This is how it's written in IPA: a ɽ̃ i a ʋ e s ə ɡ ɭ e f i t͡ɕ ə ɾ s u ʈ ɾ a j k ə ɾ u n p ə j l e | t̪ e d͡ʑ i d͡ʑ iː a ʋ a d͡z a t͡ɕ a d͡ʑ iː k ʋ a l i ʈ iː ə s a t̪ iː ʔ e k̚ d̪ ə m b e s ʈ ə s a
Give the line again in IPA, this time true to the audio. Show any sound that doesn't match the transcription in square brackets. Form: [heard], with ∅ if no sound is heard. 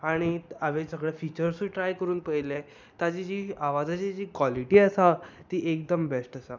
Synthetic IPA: a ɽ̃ i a ʋ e s ə ɡ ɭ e f i t͡ɕ ə ɾ s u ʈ ɾ a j k ə ɾ [uː] n p ə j l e | t̪ [a] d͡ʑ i d͡ʑ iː a ʋ a d͡z a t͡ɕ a d͡ʑ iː k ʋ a l i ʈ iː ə s a t̪ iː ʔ e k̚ d̪ ə m b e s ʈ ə s a